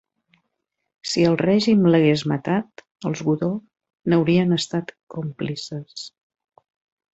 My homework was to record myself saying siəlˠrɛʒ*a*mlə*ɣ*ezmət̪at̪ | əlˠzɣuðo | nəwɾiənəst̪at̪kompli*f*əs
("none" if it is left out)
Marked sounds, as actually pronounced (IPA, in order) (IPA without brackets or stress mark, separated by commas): i, ɣ, s